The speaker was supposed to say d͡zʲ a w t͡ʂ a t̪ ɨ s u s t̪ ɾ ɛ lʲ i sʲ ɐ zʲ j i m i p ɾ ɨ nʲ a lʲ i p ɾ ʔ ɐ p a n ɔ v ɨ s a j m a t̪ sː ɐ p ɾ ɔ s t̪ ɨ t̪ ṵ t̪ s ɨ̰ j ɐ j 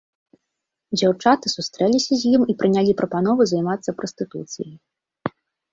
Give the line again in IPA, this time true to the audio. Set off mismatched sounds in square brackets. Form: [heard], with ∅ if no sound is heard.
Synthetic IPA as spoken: d͡zʲ a w t͡ʂ a t̪ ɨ s u s t̪ ɾ ɛ lʲ i sʲ ɐ zʲ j i m i p ɾ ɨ nʲ a lʲ i p ɾ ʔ ɐ p a n ɔ v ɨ [z] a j m a t̪ sː ɐ p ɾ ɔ s t̪ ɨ t̪ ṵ t̪ s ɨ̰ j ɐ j